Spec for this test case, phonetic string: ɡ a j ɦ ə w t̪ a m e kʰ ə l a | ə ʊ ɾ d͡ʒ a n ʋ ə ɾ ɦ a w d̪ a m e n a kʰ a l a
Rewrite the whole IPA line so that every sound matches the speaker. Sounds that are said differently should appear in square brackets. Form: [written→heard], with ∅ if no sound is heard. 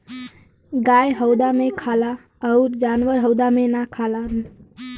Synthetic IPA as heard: ɡ a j ɦ ə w [t̪→d̪] a m e kʰ [ə→a] l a | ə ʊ ɾ d͡ʒ a n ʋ ə ɾ ɦ [a→ə] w d̪ a m e n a kʰ a l a